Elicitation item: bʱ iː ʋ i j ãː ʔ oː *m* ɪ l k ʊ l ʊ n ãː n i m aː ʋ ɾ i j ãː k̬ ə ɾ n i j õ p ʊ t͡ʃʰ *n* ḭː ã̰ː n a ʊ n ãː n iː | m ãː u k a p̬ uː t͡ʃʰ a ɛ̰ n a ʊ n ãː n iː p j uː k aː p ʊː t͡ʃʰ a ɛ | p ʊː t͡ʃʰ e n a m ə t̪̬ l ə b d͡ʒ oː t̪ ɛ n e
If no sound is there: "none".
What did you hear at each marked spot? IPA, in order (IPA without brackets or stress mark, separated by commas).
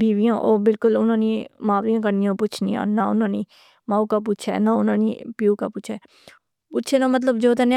b, n